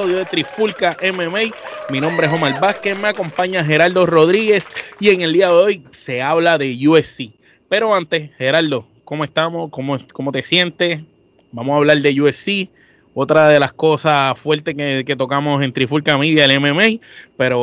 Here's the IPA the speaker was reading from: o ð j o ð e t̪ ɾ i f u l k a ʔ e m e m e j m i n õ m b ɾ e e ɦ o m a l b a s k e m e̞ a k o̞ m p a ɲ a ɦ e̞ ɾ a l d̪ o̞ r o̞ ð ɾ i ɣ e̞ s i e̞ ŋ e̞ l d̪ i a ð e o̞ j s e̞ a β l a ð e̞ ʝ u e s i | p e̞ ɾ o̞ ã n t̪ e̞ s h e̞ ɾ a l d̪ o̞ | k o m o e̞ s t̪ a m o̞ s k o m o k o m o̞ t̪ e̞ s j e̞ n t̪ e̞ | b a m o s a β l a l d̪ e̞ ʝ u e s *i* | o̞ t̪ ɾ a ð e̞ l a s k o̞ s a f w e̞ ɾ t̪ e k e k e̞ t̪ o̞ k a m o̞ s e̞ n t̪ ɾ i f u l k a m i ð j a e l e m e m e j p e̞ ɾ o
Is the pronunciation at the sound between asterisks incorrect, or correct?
correct